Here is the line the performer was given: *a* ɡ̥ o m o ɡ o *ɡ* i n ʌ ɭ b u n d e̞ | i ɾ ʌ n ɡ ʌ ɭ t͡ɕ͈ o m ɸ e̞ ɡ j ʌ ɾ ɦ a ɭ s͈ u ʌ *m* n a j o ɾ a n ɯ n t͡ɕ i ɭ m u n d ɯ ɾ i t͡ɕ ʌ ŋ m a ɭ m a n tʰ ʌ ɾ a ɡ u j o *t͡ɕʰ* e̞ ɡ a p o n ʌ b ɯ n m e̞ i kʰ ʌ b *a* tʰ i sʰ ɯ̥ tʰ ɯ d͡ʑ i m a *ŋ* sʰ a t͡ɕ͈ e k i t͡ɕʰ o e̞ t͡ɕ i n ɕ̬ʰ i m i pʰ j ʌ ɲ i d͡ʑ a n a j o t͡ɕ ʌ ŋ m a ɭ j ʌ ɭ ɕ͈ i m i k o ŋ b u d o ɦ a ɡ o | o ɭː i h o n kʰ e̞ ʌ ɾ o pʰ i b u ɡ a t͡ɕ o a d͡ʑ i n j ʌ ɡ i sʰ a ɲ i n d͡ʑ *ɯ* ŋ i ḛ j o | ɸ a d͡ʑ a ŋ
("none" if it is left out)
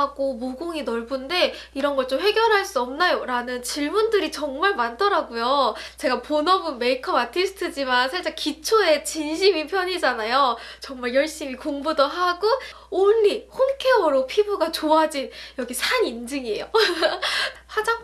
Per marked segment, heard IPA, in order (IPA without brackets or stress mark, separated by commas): a, ŋ, m, t͡ɕ, a, n, ɯ